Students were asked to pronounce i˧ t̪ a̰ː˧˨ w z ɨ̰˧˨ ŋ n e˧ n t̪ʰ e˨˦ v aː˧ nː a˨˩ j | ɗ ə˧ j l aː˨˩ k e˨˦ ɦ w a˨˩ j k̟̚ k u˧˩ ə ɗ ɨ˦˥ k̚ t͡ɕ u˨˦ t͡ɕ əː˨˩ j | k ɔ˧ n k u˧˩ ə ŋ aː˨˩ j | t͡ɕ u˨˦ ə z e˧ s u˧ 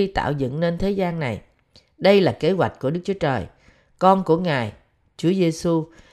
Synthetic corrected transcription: i˧ t̪ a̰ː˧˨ w z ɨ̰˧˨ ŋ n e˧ n t̪ʰ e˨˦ z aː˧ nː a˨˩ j | ɗ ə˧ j l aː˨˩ k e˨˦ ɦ w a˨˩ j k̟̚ k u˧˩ ə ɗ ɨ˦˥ k̚ t͡ɕ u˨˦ t͡ɕ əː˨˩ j | k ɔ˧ n k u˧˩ ə ŋ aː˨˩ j | t͡ɕ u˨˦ ə z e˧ s u˧